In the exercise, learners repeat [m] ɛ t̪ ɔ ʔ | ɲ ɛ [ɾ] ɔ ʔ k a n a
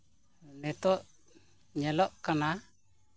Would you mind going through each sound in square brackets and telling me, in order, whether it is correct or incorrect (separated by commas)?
incorrect, incorrect